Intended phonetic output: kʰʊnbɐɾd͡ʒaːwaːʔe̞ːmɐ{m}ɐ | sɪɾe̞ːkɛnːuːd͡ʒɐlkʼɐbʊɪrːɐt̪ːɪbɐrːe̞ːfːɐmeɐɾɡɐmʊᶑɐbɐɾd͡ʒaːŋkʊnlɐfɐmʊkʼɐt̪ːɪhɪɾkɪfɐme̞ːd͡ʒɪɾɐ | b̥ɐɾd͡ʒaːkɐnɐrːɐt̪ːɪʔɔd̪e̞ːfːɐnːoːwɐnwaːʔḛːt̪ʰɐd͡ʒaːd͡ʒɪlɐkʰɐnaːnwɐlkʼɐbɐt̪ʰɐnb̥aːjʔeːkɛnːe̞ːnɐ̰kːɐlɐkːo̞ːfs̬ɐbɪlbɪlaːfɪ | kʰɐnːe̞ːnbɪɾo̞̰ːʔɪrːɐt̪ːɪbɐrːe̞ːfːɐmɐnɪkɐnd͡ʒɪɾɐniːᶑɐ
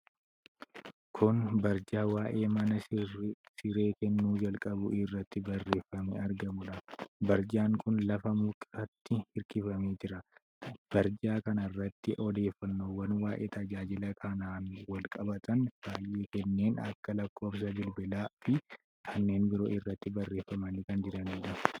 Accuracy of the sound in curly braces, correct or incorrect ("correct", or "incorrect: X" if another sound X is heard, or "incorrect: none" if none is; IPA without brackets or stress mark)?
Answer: incorrect: n